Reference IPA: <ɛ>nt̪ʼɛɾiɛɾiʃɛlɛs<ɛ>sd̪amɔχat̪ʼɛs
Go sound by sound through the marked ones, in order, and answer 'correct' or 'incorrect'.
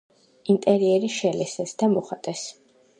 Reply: incorrect, correct

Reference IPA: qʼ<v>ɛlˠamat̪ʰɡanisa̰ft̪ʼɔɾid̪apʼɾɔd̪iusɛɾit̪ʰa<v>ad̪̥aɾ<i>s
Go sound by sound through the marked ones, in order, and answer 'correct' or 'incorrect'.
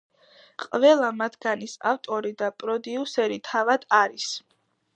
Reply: correct, correct, correct

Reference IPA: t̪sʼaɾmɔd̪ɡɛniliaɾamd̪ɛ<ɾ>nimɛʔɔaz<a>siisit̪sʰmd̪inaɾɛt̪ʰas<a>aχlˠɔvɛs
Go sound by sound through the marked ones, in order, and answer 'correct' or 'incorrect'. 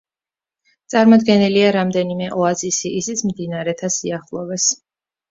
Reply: incorrect, incorrect, incorrect

